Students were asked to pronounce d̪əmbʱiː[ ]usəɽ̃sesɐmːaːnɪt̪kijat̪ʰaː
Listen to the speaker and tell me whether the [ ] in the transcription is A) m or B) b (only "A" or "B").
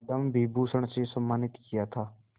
B